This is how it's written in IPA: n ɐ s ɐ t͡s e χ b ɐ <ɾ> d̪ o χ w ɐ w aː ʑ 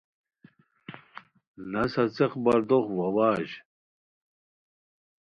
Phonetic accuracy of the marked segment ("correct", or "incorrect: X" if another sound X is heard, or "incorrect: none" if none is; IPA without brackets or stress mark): correct